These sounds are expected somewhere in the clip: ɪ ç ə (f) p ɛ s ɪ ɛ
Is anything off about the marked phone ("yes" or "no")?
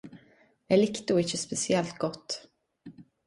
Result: yes